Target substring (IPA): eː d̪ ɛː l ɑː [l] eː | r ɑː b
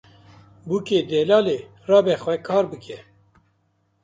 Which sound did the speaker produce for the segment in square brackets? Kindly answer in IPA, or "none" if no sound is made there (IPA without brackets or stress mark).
l